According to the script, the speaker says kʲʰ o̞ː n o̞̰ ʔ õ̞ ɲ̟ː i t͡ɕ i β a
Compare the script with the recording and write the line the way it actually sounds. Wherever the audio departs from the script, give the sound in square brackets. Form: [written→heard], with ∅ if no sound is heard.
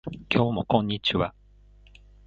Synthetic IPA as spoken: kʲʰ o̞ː [n→m] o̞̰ [ʔ→k] õ̞ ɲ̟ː i t͡ɕ i β a

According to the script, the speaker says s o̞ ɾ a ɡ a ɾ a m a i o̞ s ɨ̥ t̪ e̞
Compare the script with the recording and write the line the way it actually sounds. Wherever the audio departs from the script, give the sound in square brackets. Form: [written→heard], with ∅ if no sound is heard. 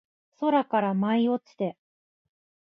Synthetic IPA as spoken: s o̞ ɾ a [ɡ→k] a ɾ a m a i o̞ [s→t͡s] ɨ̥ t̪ e̞

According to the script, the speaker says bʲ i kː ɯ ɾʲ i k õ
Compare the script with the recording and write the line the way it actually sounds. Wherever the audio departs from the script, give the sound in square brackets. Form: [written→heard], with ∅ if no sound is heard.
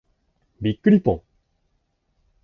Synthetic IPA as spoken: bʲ i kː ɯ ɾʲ i [k→p] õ

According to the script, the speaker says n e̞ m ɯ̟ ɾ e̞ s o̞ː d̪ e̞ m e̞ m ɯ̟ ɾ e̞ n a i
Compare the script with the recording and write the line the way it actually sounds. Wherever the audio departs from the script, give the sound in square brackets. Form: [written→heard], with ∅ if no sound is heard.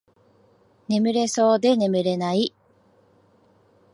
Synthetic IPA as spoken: n e̞ m ɯ̟ ɾ e̞ s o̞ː d̪ e̞ [m→n] e̞ m ɯ̟ ɾ e̞ n a i

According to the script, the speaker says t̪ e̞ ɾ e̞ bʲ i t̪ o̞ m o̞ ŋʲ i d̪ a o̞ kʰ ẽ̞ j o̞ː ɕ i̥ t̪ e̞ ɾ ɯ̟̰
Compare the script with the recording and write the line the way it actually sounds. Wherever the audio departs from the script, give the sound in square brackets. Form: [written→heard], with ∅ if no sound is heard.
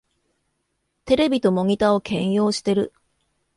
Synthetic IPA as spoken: t̪ e̞ ɾ e̞ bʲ i t̪ o̞ m o̞ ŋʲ i [d̪→t̪] a o̞ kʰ ẽ̞ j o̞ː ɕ i̥ t̪ e̞ ɾ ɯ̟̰

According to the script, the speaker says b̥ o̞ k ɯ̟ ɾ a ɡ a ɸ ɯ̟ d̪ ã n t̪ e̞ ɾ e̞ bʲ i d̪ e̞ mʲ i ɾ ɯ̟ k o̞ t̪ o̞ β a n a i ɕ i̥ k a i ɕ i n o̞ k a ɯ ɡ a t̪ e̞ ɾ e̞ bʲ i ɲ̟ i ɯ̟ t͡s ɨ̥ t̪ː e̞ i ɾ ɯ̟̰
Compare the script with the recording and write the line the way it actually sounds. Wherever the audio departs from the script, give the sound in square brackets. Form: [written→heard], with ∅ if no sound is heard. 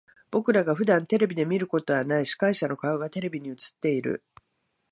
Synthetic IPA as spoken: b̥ o̞ k ɯ̟ ɾ a ɡ a ɸ ɯ̟ d̪ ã n t̪ e̞ ɾ e̞ bʲ i d̪ e̞ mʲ i ɾ ɯ̟ k o̞ t̪ o̞ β a n a i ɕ i̥ k a i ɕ [i→a] n o̞ k a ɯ ɡ a t̪ e̞ ɾ e̞ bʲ i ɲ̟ i ɯ̟ t͡s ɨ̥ t̪ː e̞ i ɾ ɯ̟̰

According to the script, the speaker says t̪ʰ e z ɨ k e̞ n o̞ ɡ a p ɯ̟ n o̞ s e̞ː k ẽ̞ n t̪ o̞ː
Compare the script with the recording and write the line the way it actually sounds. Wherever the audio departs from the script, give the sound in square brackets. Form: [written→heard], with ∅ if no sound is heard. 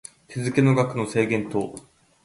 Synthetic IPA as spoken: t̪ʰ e z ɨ k e̞ n o̞ ɡ a [p→k] ɯ̟ n o̞ s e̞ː [k→ɡ] ẽ̞ n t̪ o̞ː

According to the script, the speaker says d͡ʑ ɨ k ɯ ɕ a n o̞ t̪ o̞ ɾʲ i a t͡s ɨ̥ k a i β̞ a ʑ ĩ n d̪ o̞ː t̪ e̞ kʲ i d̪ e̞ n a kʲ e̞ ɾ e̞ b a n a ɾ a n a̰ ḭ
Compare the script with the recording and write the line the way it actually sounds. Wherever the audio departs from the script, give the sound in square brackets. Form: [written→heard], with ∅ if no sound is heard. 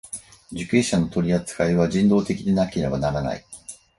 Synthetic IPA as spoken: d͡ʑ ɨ k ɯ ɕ a n o̞ t̪ o̞ ɾʲ i a t͡s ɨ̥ k a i β̞ a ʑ ĩ n d̪ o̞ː t̪ e̞ kʲ i d̪ e̞ n a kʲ e̞ ɾ e̞ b a n a ɾ a n a̰ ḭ

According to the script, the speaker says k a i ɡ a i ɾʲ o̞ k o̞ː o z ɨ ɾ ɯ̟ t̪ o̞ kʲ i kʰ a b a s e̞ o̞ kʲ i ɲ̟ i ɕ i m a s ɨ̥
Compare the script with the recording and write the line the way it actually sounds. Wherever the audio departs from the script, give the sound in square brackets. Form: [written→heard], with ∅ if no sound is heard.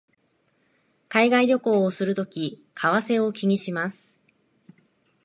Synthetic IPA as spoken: k a i ɡ a i ɾʲ o̞ k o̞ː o [z→s] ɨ ɾ ɯ̟ t̪ o̞ kʲ i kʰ a [b→β] a s e̞ o̞ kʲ i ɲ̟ i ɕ i m a s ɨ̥

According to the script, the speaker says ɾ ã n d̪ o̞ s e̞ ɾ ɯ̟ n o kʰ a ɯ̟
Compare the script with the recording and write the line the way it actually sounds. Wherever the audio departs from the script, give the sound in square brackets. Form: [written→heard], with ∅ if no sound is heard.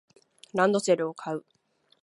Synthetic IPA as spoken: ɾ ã n d̪ o̞ s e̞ ɾ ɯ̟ [n→∅] o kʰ a ɯ̟

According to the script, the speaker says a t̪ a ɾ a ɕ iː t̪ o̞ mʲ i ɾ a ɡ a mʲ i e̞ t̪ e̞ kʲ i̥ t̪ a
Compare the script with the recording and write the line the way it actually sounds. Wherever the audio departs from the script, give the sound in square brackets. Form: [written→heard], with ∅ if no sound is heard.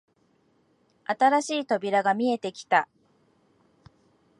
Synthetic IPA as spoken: a t̪ a ɾ a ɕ iː t̪ o̞ [mʲ→bʲ] i ɾ a ɡ a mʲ i e̞ t̪ e̞ kʲ i̥ t̪ a

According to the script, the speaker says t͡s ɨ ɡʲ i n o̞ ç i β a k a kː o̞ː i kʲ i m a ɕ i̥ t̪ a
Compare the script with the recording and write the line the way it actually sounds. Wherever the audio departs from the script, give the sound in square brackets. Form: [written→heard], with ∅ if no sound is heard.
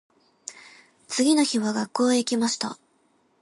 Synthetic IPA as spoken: t͡s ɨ ɡʲ i n o̞ ç i β a [k→ɡ] a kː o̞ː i kʲ i m a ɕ i̥ t̪ a

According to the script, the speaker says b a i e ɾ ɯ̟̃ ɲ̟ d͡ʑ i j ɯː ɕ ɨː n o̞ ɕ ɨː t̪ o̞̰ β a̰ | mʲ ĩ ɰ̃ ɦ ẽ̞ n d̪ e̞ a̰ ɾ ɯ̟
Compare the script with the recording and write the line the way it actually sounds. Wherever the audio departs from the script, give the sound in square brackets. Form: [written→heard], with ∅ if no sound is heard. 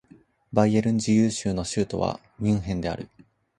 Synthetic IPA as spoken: b a i e ɾ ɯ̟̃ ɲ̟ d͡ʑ i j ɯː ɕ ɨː n o̞ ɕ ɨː t̪ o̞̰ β a̰ | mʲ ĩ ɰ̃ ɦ ẽ̞ n d̪ e̞ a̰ ɾ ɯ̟

